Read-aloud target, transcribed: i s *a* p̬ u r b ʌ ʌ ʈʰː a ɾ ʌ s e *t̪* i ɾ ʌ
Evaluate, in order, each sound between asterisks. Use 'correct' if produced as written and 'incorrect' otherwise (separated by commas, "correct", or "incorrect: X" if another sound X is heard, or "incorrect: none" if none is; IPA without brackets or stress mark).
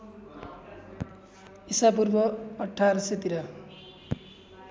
correct, correct